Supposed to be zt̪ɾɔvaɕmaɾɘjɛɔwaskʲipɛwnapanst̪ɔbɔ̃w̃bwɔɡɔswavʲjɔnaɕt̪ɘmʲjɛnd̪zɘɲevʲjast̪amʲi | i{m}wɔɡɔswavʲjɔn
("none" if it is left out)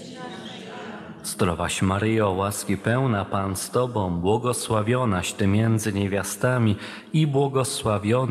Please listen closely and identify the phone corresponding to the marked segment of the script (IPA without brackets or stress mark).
b